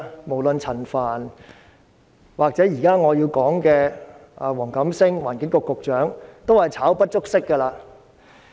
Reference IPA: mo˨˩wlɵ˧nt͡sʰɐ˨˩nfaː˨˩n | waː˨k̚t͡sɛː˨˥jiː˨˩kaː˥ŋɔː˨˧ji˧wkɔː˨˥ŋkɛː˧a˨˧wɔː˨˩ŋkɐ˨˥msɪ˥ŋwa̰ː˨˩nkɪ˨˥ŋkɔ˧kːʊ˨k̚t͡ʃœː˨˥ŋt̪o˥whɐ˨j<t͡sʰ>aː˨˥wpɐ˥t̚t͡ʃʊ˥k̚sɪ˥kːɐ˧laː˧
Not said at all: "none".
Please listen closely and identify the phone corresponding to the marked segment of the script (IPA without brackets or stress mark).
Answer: t͡sʰ